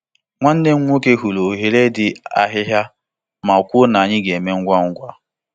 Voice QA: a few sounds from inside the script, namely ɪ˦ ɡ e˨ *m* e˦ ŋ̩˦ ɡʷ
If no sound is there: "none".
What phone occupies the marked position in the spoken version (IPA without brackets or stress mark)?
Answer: m